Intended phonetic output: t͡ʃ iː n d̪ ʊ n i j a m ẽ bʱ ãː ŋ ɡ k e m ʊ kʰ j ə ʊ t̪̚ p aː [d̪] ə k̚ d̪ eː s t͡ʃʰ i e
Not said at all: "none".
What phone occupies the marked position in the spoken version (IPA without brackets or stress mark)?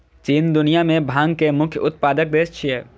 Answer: d̪